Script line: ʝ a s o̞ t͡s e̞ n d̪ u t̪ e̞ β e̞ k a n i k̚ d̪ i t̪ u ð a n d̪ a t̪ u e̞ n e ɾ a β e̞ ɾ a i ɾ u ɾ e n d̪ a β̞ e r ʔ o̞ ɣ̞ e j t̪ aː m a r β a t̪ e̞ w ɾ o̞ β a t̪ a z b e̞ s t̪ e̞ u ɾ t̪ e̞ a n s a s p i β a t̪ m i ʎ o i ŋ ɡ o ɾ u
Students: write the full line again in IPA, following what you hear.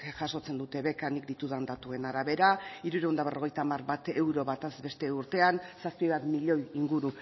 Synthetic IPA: ʝ a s o̞ t͡s e̞ n d̪ u t̪ e̞ β e̞ k a n i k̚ d̪ i t̪ u ð a n d̪ a t̪ u e̞ n a ɾ a β e̞ ɾ a i ɾ u ɾ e n d̪ a β̞ e r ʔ o̞ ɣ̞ e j t̪ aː m a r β a t̪ e̞ w ɾ o̞ β a t̪ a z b e̞ s t̪ e̞ u ɾ t̪ e̞ a n s a s p i β a t̪ m i ʎ o i ŋ ɡ u ɾ u